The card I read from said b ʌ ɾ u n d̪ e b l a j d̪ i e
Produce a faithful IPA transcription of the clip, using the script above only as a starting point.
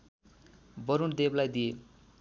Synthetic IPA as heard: b ʌ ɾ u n d̪ e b l a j d̪ i e